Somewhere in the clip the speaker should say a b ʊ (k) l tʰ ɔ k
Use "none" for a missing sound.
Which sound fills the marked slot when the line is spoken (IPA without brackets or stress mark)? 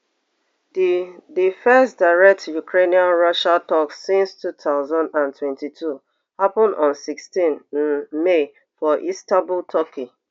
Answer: none